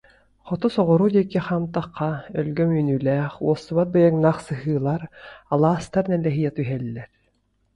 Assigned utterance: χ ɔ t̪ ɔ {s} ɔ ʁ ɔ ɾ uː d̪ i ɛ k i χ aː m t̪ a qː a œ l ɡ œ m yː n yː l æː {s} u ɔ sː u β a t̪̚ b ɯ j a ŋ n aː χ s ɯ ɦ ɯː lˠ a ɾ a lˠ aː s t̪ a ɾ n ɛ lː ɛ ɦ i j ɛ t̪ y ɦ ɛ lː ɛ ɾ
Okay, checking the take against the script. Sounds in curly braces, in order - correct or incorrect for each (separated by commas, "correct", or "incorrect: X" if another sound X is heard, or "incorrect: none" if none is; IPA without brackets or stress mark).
correct, incorrect: χ